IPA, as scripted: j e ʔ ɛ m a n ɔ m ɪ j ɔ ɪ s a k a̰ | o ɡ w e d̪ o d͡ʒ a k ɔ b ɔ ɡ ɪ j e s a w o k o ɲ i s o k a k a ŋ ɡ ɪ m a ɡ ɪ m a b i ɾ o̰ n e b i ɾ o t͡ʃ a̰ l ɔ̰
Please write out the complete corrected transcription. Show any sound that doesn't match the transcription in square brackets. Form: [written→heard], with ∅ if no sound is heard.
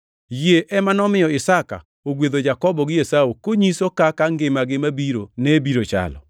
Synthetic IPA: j e ʔ ɛ m a n ɔ m ɪ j ɔ ɪ s a k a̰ | o ɡ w e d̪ o d͡ʒ a k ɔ b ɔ ɡ ɪ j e s a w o k o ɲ i s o k a k a ŋ ɡ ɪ m a ɡ ɪ m a b i ɾ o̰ n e b i ɾ o t͡ʃ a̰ l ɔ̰